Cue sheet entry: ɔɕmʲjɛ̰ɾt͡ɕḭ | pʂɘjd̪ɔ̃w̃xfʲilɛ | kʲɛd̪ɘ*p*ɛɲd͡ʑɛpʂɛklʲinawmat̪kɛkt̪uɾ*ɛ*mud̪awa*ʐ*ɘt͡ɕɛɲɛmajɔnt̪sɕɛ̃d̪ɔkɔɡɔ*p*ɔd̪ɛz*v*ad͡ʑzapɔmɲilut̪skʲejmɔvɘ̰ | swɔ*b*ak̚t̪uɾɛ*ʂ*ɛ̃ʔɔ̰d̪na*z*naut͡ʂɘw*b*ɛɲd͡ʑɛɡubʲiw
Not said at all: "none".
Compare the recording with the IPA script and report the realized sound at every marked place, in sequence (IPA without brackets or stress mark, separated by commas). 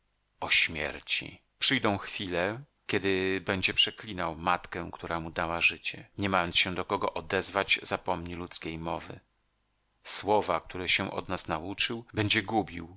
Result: b, a, ʐ, ʔ, v, v, ɕ, s, b